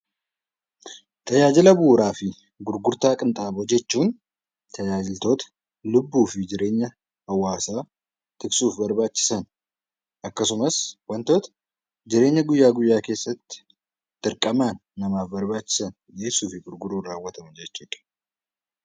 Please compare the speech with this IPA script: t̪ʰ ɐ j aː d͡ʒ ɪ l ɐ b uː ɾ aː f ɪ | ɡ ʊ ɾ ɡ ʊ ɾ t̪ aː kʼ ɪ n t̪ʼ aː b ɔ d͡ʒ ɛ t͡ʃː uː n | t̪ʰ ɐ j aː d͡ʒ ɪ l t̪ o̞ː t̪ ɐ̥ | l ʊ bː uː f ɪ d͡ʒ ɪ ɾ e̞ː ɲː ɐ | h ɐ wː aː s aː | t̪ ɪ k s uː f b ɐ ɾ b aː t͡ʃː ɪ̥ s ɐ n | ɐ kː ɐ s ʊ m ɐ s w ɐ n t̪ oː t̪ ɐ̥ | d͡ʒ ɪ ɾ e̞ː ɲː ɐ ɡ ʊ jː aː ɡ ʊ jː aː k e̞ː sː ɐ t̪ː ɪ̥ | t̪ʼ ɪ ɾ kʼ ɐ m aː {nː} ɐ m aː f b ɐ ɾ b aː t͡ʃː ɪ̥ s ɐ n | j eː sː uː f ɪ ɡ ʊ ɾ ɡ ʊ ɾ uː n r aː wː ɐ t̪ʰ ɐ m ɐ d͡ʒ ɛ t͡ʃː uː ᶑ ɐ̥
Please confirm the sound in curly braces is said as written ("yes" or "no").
yes